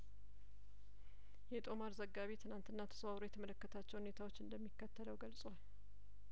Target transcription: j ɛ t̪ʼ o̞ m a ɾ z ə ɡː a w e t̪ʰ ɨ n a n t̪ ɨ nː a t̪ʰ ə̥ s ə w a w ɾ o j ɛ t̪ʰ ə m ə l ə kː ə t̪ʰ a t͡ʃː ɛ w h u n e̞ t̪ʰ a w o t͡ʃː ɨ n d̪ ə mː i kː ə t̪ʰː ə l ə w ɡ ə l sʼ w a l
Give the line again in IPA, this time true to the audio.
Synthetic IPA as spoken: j ɛ t̪ʼ o̞ m a ɾ z ə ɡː a β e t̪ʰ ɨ n a n t̪ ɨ nː a t̪ʰ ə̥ s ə w a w ɾ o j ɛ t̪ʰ ə m ə l ə kː ə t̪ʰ a t͡ʃː ɛ w h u n e̞ t̪ʰ a w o t͡ʃː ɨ n d̪ ə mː i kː ə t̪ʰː ə l ə w ɡ ə l sʼ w a l